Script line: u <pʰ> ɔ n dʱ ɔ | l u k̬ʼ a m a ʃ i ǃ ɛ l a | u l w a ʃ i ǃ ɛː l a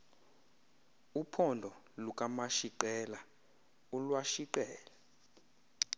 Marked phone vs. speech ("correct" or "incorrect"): correct